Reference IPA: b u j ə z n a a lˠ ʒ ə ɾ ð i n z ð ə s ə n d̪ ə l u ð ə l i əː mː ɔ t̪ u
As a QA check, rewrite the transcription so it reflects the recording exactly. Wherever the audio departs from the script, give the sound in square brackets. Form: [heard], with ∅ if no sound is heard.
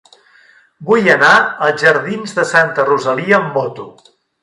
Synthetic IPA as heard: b u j ə [∅] n a [ə] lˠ ʒ ə ɾ ð i n z ð ə s [a] n [t̪] ə [r] u [z] ə l i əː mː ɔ t̪ u